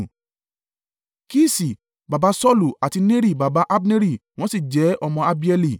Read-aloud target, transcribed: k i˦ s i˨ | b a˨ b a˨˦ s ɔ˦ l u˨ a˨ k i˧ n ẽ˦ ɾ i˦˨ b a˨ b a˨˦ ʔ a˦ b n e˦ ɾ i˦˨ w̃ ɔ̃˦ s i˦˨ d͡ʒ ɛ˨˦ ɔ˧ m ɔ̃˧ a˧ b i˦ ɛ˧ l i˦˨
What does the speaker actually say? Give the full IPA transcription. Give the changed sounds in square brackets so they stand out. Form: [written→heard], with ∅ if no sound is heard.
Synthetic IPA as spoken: k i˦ s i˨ | b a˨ b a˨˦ s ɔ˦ l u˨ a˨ [k→t] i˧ n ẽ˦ ɾ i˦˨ b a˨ b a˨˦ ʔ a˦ b n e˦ ɾ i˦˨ w̃ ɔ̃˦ s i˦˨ d͡ʒ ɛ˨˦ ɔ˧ m ɔ̃˧ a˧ b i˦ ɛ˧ l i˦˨